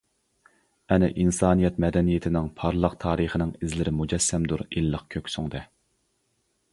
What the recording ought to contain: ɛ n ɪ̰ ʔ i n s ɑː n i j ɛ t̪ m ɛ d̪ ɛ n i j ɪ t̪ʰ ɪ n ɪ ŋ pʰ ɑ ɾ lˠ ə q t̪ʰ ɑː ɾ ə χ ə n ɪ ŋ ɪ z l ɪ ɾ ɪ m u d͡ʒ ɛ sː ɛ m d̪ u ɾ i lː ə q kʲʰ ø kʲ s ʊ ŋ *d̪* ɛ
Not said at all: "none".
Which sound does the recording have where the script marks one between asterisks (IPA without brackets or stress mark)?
d̪